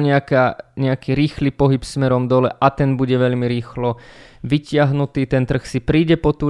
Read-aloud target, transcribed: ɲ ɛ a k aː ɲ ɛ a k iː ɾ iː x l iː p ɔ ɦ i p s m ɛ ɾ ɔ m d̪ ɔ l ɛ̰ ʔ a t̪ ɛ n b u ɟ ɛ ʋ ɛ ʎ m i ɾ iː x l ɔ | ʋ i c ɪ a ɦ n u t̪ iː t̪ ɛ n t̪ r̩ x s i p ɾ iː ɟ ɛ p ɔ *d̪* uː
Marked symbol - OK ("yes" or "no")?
no